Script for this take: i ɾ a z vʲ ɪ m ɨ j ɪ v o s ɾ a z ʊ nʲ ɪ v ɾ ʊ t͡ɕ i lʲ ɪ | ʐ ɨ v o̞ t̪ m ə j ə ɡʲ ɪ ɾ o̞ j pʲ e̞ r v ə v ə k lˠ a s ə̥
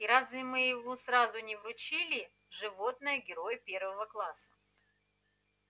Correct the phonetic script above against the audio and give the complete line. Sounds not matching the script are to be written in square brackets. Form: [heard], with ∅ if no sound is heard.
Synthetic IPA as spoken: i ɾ a z vʲ ɪ m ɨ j ɪ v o s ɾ a z ʊ nʲ ɪ v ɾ ʊ t͡ɕ i lʲ ɪ | ʐ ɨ v o̞ t̪ [n] ə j ə ɡʲ ɪ ɾ o̞ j pʲ e̞ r v ə v ə k lˠ a s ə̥